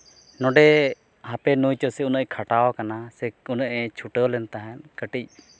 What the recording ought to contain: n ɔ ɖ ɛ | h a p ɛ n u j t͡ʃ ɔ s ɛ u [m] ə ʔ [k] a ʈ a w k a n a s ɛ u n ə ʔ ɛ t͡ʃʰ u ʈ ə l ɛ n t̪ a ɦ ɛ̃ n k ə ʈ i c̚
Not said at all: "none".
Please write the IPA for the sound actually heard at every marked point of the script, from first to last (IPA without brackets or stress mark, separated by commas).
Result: n, kʰ